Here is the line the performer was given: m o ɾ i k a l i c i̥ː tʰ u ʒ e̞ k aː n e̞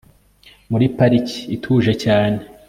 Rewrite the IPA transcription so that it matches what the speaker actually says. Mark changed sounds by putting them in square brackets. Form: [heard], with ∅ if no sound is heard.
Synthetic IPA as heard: m [u] ɾ i [p] a [ɾ] i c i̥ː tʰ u ʒ e̞ [c] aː n e̞